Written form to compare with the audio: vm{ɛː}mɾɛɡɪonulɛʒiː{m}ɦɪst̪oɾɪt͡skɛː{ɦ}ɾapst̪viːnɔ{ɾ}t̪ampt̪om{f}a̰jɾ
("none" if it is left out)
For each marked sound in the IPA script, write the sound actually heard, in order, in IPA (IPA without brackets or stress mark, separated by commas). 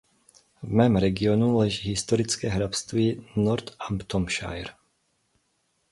ɛː, none, ɦ, ɾ, ʃ